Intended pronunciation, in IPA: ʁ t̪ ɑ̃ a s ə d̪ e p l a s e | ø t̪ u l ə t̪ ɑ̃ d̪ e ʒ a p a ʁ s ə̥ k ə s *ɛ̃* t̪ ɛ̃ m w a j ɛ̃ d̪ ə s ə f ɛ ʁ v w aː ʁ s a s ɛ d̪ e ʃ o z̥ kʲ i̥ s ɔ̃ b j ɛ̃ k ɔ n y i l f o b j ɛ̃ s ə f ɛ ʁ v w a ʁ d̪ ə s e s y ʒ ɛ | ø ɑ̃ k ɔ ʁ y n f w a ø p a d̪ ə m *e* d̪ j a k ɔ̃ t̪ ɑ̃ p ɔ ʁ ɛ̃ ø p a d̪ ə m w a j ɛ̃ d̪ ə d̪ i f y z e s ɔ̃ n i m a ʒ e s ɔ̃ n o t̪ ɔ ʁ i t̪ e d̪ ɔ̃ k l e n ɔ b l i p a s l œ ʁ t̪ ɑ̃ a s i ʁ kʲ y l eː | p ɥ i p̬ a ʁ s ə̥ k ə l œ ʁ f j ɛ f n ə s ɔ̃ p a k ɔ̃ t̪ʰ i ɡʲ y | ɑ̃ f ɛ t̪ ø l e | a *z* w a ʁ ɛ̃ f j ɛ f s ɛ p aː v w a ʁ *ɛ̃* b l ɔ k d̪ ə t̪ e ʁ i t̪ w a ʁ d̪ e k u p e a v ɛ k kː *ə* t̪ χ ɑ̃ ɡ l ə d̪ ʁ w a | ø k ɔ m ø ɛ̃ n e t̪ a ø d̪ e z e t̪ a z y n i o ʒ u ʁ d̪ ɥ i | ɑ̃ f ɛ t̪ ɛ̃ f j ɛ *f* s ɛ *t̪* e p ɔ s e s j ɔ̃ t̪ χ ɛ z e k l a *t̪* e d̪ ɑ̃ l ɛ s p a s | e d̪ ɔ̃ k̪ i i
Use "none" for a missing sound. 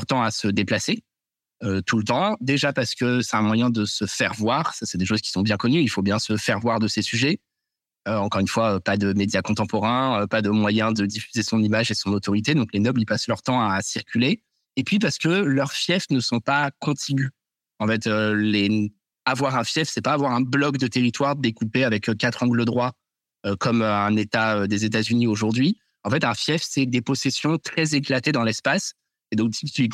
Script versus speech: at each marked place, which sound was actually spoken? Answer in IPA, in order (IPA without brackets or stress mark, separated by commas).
ɛ, e, v, ɛ̃, a, f, d̪, t̪